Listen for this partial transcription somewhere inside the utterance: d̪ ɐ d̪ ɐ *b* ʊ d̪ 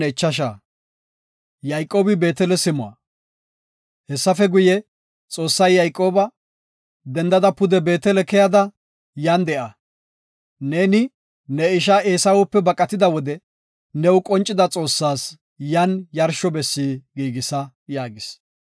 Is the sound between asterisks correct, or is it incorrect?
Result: incorrect